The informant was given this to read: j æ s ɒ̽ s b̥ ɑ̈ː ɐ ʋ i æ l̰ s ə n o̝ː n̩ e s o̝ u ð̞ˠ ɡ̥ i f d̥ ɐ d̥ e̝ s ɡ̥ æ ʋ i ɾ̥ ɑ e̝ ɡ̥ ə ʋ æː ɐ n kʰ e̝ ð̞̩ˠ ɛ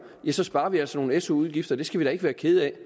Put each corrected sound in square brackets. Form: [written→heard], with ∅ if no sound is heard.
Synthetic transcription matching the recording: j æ s ɒ̽ s b̥ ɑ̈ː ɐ ʋ i æ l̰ s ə n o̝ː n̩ e s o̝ u ð̞ˠ ɡ̥ i f d̥ ɐ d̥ e̝ s ɡ̥ æ ʋ i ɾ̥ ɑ e̝ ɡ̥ ə ʋ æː ɐ [n→∅] kʰ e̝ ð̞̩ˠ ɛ